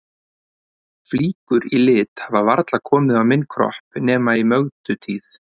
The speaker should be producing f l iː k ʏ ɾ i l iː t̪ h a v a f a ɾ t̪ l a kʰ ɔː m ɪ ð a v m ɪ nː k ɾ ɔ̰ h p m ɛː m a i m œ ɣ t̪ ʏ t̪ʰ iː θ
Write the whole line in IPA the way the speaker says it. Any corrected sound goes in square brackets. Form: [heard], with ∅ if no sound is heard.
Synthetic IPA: f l iː k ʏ ɾ i l [ɪː] t̪ h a v a [v] a ɾ t̪ l a kʰ ɔː m ɪ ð a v m ɪ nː [kʰ] ɾ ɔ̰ h p [n] ɛː m a i m œ ɣ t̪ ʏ t̪ʰ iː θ